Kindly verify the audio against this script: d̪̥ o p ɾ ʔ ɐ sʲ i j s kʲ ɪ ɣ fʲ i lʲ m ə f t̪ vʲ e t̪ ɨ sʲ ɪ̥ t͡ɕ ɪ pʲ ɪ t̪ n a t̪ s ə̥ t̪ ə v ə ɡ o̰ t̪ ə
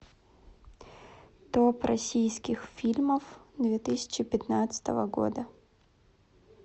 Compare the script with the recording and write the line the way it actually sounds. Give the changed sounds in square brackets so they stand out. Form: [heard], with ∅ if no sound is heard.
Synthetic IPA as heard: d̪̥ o p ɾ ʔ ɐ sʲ i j s kʲ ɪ [x] fʲ i lʲ m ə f [d̪] vʲ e t̪ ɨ sʲ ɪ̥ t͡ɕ ɪ pʲ ɪ t̪ n a t̪ s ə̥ t̪ ə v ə ɡ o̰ [d̪] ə